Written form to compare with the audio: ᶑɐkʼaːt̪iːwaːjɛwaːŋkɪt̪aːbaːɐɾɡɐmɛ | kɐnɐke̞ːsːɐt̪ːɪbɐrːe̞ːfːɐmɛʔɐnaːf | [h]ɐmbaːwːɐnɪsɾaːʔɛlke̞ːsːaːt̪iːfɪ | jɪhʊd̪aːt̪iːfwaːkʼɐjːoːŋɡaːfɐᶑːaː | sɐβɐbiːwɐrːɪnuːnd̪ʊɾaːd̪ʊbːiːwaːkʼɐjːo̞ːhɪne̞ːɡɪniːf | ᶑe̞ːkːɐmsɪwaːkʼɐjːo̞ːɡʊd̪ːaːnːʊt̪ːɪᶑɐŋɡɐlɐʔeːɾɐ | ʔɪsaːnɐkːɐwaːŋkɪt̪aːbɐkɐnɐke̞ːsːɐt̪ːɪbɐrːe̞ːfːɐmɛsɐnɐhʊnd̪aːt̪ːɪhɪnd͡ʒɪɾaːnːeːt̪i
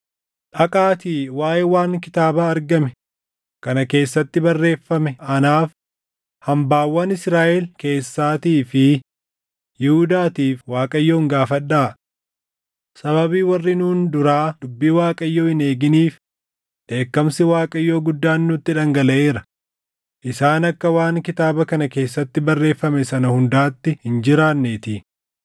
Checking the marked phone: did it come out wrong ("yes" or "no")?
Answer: no